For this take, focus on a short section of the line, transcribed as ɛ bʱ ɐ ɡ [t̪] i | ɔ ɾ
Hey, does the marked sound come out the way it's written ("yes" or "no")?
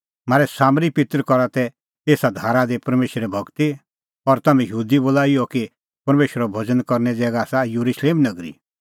yes